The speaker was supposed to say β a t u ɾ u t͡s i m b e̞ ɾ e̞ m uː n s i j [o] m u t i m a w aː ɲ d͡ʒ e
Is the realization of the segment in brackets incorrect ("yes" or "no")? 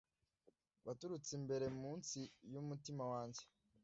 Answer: yes